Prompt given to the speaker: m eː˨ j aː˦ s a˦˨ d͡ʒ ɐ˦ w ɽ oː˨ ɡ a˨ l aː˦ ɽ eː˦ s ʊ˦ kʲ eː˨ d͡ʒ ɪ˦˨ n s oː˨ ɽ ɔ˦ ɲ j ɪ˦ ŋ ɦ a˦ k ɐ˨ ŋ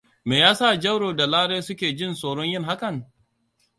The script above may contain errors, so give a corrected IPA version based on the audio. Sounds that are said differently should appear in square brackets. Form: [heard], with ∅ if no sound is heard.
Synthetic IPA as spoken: m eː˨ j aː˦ s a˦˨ d͡ʒ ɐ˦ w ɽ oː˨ [d] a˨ l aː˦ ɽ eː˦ s ʊ˦ kʲ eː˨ d͡ʒ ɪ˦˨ n s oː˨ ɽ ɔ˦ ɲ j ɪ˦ ŋ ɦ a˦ k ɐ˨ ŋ